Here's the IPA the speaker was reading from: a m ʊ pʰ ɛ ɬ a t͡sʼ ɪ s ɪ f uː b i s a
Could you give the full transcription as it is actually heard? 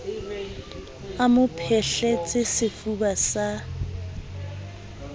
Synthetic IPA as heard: a m ʊ pʰ ɛ ɬ ɛ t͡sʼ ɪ s ɪ f u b a s a